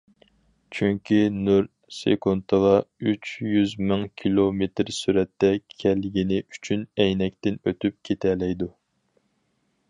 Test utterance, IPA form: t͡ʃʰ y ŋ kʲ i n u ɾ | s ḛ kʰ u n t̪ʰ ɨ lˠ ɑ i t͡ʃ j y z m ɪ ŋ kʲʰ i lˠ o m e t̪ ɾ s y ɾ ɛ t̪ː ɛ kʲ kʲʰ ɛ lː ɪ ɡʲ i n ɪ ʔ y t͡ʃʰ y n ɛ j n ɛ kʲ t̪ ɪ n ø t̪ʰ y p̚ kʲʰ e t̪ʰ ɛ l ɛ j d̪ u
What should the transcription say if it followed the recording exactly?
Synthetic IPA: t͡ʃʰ y ŋ kʲ i n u ɾ | s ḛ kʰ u n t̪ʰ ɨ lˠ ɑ y t͡ʃ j y z m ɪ ŋ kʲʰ i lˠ o m e t̪ ɾ s y ɾ ɛ t̪ː ɛ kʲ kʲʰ ɛ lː ɪ ɡʲ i n ɪ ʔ y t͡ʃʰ y n ɛ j n ɛ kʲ t̪ ɪ n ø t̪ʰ y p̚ kʲʰ e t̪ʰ ɛ l ɛ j d̪ u